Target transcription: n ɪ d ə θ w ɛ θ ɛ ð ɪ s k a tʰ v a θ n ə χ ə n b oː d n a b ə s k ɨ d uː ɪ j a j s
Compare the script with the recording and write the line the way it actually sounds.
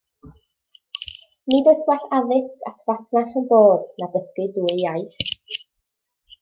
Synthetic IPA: n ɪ d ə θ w a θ a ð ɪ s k a tʰ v a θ n a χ ə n b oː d n a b ə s k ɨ d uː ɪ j a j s

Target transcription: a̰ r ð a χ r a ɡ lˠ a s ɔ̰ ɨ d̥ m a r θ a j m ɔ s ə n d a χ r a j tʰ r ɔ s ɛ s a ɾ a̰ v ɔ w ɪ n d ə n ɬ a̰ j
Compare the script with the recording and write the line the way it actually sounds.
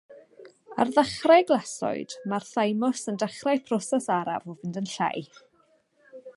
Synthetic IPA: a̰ r ð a χ r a ɡ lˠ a s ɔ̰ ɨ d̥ m a r θ a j m ɔ s ə n d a χ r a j pʰ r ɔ s ɛ s a ɾ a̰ v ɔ v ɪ n d ə n ɬ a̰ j

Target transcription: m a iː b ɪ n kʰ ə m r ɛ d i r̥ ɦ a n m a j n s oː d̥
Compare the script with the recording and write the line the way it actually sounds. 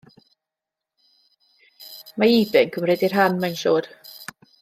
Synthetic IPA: m a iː b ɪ n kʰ ə m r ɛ d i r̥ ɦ a n m a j n ʃ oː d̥

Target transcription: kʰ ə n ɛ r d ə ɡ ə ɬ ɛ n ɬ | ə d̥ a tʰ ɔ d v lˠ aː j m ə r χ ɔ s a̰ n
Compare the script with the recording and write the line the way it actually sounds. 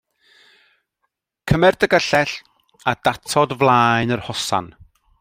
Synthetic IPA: kʰ ə m ɛ r d ə ɡ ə ɬ ɛ ɬ | a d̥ a tʰ ɔ d v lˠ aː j n ə r h ɔ s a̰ n

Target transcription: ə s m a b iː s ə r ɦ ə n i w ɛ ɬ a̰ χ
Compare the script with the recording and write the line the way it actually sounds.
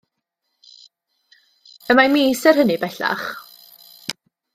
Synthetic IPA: ə m a m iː s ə r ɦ ə n i b ɛ ɬ a̰ χ

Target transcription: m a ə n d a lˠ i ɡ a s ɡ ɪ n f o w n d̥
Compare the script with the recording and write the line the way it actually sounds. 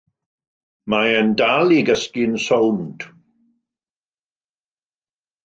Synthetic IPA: m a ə n d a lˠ i ɡ ə s k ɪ n s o w n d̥

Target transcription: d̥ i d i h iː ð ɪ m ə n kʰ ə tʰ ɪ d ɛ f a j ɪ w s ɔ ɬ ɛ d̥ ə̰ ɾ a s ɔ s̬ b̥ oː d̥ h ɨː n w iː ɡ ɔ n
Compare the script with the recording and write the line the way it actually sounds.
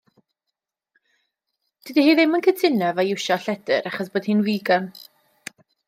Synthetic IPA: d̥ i d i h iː ð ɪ m ə n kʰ ə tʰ ɪ n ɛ v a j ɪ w ʃ ɔ ɬ ɛ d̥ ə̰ ɾ a χ ɔ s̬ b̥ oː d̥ h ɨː n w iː ɡ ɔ n

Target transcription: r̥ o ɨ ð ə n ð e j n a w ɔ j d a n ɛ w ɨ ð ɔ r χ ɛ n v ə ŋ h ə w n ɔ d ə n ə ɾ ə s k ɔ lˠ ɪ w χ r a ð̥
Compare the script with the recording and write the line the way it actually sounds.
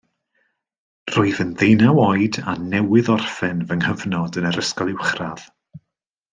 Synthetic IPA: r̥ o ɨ ð ə n ð e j n a w ɔ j d a n ɛ w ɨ ð ɔ r f ɛ n v ə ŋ h ə v n ɔ d ə n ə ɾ ə s k ɔ lˠ ɪ w χ r a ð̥

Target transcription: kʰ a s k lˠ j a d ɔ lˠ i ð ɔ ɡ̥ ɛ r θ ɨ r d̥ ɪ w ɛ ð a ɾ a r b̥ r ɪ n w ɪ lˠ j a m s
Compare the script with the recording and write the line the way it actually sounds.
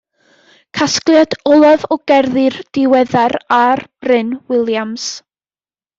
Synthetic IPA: kʰ a s k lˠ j a d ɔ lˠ a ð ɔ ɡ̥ ɛ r ð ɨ r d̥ ɪ w ɛ ð a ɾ a r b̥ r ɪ n w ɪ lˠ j a m s

